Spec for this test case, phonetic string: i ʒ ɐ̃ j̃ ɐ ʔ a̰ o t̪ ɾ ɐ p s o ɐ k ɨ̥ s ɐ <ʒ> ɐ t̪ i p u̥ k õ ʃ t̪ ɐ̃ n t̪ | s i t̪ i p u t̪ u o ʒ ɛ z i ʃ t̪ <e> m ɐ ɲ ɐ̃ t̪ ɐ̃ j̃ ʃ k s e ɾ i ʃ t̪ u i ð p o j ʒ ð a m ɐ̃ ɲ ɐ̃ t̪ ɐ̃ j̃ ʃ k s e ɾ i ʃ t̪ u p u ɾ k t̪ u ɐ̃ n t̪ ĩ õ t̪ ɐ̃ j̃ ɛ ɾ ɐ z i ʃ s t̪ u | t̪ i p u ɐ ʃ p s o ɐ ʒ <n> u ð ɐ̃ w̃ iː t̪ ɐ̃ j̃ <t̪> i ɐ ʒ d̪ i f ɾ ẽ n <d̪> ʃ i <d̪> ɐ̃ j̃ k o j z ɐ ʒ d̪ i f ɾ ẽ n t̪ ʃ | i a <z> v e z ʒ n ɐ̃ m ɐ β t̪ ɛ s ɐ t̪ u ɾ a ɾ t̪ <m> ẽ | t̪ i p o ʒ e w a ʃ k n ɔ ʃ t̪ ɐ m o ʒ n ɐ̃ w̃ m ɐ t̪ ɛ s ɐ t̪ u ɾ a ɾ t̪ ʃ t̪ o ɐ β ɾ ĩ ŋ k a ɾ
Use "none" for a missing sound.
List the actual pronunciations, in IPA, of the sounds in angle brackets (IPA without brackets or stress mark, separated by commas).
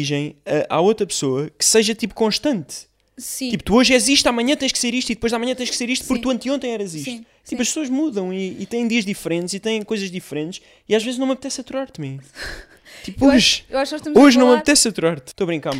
ʒ, a, m, d̪, t̪, t̪, ʒ, m